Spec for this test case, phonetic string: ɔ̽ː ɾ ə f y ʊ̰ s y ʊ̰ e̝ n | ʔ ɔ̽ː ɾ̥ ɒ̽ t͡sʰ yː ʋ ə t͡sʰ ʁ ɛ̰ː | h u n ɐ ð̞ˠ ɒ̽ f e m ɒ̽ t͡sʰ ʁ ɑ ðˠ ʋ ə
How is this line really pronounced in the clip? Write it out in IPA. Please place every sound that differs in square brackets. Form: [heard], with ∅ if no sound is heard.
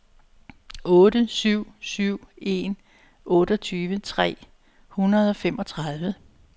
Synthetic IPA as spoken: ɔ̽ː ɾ ə [s] y ʊ̰ s y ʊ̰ e̝ n | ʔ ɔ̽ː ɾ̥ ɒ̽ t͡sʰ yː ʋ ə t͡sʰ ʁ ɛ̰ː | h u n ɐ ð̞ˠ ɒ̽ f e m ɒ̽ t͡sʰ ʁ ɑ ðˠ ʋ ə